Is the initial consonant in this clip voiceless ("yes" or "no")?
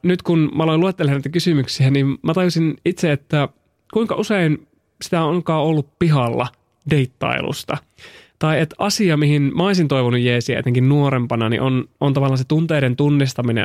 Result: no